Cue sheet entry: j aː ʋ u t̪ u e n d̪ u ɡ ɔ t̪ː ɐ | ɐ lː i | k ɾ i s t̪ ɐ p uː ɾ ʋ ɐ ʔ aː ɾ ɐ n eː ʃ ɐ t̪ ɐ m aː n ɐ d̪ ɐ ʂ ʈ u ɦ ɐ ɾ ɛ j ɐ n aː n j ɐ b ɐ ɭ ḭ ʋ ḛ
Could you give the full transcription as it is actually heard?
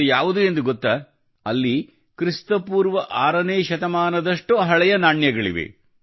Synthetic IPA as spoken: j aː ʋ u d̪ u e n d̪ u ɡ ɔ t̪ː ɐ | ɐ lː i | k ɾ i s t̪ ɐ p uː ɾ ʋ ɐ ʔ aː ɾ ɐ n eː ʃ ɐ t̪ ɐ m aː n ɐ d̪ ɐ ʂ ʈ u ɦ ɐ ɭ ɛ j ɐ n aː ɳ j ɐ ɡ ɐ ɭ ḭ ʋ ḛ